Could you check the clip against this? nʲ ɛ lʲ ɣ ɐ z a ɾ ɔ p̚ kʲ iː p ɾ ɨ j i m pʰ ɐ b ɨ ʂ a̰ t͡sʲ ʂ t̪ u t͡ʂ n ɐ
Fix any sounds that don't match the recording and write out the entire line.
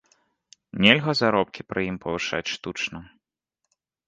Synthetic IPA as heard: nʲ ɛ lʲ ɣ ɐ z a ɾ ɔ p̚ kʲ i p ɾ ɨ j i m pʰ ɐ v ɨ ʂ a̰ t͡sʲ ʂ t̪ u t͡ʂ n ɐ